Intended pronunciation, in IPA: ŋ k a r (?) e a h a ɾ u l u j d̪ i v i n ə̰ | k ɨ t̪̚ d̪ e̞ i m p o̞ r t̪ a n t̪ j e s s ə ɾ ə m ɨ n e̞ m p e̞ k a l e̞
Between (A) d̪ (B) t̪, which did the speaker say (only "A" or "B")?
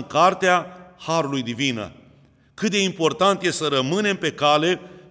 B